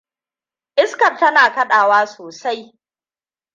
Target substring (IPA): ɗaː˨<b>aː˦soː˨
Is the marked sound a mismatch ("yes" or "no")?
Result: yes